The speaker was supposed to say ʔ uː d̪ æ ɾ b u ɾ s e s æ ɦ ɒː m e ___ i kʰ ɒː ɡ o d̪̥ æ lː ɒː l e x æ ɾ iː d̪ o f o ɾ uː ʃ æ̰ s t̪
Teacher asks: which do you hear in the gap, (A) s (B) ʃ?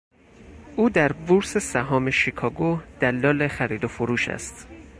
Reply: B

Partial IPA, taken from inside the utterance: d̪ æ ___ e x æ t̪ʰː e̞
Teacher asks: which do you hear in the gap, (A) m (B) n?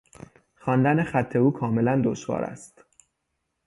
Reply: B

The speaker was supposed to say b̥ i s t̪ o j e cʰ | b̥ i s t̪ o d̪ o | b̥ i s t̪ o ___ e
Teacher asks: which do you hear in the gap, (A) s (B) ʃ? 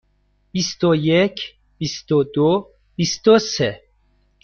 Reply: A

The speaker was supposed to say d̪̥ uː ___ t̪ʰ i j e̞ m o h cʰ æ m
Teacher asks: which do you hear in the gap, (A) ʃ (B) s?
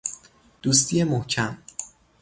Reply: B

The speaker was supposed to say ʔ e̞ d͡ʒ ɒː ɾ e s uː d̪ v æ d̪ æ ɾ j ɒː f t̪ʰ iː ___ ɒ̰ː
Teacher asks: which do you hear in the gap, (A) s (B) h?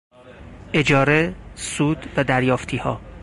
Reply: B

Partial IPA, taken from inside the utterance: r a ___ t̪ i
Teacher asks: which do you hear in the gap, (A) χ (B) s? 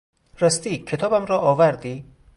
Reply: B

